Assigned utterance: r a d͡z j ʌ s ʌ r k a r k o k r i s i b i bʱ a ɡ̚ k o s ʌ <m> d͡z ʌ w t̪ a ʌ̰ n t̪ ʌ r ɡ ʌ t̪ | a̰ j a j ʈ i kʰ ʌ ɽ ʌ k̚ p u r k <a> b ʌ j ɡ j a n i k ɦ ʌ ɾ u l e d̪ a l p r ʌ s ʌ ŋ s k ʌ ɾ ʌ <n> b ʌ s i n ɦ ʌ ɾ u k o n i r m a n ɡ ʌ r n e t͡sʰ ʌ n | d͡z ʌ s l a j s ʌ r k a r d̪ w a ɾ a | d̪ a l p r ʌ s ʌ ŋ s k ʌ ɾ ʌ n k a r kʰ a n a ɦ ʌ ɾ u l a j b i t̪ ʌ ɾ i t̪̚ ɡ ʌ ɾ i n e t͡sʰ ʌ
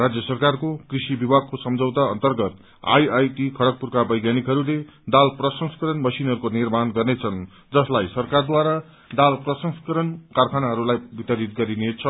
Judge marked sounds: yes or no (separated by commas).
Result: yes, yes, yes